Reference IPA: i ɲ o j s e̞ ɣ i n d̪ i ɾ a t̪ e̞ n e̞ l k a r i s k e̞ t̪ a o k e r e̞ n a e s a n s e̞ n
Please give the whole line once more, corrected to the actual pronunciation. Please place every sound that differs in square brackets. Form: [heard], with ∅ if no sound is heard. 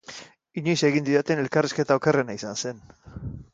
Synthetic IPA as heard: i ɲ o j s e̞ ɣ i n d̪ i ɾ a t̪ e̞ n e̞ l k a r i s k e̞ t̪ a o k e r e̞ n a [i] s a n s e̞ n